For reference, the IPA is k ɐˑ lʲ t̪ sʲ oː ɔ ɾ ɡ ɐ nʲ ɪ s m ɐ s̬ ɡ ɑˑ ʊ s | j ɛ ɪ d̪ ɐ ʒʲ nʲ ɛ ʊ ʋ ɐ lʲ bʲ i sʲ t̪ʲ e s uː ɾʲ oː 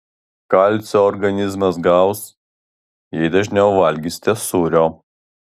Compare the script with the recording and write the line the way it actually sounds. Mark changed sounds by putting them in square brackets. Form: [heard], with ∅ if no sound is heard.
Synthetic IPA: k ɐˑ lʲ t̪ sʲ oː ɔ ɾ ɡ ɐ nʲ ɪ [z] m ɐ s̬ ɡ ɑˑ ʊ s | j ɛ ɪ d̪ ɐ ʒʲ nʲ ɛ ʊ ʋ ɐ lʲ [ɡʲ] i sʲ t̪ʲ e s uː ɾʲ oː